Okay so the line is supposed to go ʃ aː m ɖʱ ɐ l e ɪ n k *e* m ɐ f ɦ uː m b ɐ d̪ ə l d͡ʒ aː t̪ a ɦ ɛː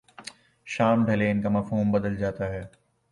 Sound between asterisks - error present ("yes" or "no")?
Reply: yes